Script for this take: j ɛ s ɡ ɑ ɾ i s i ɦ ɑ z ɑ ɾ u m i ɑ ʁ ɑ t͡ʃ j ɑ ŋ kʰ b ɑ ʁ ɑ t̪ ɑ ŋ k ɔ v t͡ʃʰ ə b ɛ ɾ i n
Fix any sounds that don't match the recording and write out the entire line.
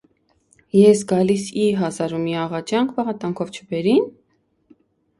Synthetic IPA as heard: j ɛ s ɡ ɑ l i s i ɦ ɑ z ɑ ɾ u m i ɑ ʁ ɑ t͡ʃ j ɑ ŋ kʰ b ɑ ʁ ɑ t̪ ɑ ŋ kʰ ɔ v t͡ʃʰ ə b ɛ ɾ i n